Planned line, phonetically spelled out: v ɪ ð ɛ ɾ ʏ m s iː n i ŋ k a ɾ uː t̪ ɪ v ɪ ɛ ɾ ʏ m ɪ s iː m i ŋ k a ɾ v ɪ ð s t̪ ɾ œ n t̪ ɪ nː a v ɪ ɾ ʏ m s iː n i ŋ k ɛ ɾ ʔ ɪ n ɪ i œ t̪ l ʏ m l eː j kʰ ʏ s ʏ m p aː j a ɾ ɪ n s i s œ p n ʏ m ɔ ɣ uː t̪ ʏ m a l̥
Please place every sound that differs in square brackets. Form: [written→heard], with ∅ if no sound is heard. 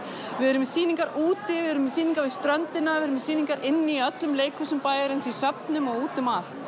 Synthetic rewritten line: v ɪ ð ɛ ɾ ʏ m s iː n i ŋ k a ɾ uː t̪ ɪ v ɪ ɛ ɾ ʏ m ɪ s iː [m→n] i ŋ k a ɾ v ɪ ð s t̪ ɾ œ n t̪ ɪ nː a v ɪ ɾ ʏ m s iː n i ŋ k [ɛ→a] ɾ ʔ ɪ [n→nː] ɪ i œ t̪ l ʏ m l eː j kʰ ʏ s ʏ m p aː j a ɾ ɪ n s i s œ p n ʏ m ɔ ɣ uː t̪ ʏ m a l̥